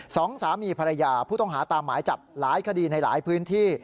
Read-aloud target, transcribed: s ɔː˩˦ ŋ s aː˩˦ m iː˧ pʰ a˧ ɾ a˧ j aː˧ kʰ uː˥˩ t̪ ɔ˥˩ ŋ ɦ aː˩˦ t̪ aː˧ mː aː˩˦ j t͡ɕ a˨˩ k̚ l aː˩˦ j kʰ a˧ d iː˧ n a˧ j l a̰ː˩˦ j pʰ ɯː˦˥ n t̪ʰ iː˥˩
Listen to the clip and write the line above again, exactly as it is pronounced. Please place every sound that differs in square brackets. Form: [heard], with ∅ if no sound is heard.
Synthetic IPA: s ɔː˩˦ ŋ s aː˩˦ m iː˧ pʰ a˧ ɾ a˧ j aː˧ [pʰ] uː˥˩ t̪ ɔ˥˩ ŋ ɦ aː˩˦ t̪ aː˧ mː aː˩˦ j t͡ɕ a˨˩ [p̚] l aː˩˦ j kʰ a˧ d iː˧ n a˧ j l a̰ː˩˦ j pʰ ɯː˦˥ n t̪ʰ iː˥˩